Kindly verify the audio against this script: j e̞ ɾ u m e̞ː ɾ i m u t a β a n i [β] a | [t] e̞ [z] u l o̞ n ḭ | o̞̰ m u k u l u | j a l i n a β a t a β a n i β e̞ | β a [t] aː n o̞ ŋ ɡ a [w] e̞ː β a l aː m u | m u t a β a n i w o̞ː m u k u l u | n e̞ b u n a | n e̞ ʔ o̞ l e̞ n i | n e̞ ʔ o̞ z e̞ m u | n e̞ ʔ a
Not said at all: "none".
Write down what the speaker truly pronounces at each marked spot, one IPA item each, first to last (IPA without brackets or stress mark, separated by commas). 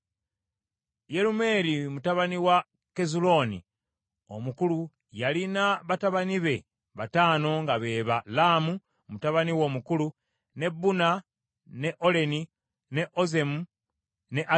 w, k, z, t, β